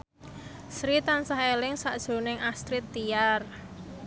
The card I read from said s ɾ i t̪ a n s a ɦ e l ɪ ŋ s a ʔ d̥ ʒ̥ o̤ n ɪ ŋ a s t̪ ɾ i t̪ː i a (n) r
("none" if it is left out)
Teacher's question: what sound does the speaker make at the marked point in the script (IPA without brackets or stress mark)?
none